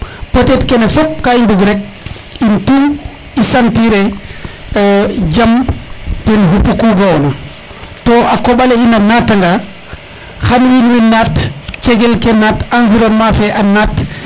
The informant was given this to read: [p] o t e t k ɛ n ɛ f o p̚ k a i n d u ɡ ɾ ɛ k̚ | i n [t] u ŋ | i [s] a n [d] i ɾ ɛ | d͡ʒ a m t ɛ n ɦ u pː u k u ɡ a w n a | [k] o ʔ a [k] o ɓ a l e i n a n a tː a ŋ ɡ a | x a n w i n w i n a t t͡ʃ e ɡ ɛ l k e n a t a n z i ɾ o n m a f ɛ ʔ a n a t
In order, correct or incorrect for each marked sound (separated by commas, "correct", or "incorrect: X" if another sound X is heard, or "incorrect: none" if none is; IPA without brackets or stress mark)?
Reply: correct, correct, correct, incorrect: t, incorrect: t, correct